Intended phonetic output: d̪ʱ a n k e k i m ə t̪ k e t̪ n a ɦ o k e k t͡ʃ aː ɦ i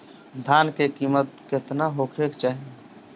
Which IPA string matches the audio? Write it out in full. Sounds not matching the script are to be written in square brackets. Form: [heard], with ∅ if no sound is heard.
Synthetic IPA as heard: d̪ʱ a n k e k i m ə t̪ k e t̪ n a ɦ o [kʰ] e k t͡ʃ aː ɦ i